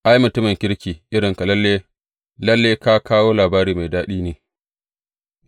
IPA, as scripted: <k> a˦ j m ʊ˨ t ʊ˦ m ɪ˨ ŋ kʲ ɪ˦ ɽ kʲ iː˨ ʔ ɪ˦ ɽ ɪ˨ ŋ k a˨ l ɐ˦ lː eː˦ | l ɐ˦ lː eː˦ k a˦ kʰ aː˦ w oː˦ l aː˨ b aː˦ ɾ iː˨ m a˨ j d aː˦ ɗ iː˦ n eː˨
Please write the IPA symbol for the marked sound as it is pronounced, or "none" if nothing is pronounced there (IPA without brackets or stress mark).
ʔ